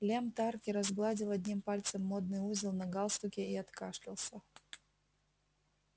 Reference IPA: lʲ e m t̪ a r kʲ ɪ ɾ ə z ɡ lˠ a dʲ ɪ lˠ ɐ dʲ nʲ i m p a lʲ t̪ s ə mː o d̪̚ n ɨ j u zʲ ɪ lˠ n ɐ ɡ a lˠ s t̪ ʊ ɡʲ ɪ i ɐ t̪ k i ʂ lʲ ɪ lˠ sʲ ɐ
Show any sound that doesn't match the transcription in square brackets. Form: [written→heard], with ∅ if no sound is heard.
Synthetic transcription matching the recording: lʲ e m t̪ a r kʲ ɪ ɾ [ə→ɐ] z ɡ lˠ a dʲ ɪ lˠ ɐ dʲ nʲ i m p a lʲ t̪ s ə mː o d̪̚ n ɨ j u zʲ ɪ lˠ n ɐ ɡ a lˠ s t̪ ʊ [ɡʲ→kʲ] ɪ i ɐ t̪ k [i→a] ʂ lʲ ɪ lˠ sʲ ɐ